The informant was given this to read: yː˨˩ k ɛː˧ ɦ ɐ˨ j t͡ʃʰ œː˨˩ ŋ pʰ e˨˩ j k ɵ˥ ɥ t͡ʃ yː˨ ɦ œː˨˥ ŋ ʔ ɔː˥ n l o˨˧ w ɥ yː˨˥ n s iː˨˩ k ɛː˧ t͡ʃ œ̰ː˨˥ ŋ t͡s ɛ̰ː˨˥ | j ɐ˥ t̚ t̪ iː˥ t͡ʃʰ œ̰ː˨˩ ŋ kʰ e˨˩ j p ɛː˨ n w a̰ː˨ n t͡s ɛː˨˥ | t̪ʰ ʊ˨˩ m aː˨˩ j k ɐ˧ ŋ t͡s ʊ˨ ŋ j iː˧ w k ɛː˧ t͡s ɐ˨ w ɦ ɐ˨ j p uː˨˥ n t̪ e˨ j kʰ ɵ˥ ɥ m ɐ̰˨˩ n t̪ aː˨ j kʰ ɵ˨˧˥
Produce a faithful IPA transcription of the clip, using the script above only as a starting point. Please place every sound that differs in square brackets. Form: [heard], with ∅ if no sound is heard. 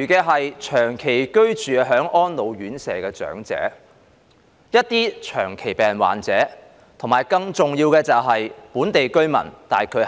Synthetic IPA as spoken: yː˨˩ k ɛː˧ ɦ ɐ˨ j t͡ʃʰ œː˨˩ ŋ [kʰ] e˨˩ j k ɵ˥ ɥ t͡ʃ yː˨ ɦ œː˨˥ ŋ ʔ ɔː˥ n l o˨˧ w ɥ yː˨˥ n s [ɛː˨˩] k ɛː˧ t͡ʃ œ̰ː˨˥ ŋ t͡s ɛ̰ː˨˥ | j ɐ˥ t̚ t̪ iː˥ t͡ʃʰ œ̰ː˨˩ ŋ kʰ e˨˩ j p ɛː˨ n w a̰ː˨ n t͡s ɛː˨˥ | t̪ʰ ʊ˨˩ m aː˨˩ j k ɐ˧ ŋ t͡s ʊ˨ ŋ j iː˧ w k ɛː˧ t͡s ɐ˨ w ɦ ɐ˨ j p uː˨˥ n t̪ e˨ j [k] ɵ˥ ɥ m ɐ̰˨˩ n t̪ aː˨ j kʰ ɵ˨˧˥